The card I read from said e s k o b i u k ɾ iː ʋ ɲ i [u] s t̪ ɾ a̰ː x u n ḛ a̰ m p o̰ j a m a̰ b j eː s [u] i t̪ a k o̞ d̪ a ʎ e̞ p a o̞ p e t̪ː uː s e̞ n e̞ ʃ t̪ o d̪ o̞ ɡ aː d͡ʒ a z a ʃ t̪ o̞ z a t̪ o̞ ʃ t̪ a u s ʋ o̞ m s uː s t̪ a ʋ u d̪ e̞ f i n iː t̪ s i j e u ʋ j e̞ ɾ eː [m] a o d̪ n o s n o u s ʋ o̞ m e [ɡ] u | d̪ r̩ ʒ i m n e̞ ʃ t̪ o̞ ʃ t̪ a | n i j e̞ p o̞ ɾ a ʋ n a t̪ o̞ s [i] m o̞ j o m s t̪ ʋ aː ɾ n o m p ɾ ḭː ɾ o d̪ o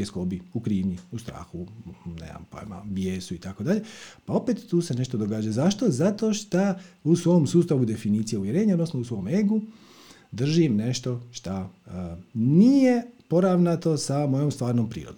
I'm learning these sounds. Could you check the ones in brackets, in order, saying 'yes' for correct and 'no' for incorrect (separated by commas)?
yes, yes, no, yes, no